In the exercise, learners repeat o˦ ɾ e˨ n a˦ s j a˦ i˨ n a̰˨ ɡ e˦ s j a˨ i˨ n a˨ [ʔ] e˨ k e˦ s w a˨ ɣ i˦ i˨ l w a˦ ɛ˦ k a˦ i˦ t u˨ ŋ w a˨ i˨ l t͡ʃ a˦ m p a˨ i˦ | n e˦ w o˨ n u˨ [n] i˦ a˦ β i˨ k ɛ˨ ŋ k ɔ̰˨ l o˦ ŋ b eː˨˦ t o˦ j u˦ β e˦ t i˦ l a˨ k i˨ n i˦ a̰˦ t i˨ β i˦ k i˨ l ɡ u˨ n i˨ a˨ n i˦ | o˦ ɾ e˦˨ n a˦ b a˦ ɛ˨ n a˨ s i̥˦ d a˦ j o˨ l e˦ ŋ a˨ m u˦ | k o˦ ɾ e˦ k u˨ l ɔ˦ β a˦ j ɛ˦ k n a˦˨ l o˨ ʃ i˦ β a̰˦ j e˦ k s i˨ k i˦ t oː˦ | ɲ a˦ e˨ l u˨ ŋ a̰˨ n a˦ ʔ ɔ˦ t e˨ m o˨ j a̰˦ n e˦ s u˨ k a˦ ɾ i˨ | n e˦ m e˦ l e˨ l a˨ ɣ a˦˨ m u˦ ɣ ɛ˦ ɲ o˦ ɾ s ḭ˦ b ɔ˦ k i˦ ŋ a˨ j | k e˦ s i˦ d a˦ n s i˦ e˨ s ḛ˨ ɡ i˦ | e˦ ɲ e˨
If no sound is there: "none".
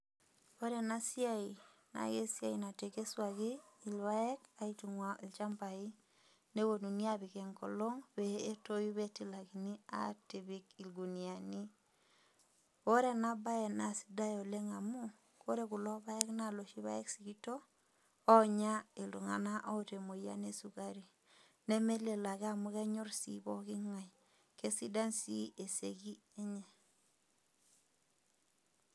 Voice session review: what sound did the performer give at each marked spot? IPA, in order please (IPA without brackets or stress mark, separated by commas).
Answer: t, n